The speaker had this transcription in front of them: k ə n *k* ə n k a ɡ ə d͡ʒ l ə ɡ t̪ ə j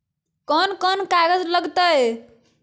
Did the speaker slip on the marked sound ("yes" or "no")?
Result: no